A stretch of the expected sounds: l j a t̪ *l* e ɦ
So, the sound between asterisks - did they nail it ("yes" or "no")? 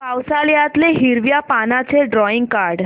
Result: yes